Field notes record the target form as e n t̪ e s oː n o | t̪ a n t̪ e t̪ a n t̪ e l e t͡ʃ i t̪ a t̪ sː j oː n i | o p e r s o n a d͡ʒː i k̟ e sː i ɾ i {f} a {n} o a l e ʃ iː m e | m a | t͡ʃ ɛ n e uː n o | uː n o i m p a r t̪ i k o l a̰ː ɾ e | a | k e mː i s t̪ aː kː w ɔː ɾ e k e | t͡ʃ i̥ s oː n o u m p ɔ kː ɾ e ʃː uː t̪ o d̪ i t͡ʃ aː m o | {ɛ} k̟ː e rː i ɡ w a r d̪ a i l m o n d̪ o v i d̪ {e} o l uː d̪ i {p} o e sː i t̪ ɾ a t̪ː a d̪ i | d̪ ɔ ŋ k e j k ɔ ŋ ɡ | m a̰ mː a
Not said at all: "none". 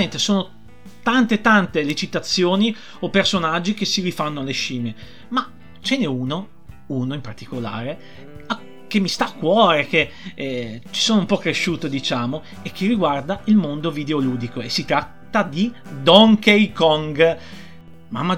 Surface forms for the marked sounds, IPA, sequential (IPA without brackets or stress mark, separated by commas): f, nː, e, e, k